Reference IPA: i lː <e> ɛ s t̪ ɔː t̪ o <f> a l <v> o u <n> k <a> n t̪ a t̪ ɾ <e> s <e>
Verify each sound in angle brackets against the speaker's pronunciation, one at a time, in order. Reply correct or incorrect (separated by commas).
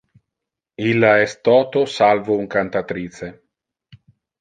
incorrect, incorrect, correct, incorrect, correct, incorrect, correct